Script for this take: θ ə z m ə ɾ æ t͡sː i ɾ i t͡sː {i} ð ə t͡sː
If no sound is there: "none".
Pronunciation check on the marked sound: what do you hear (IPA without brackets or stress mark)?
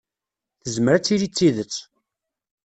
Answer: i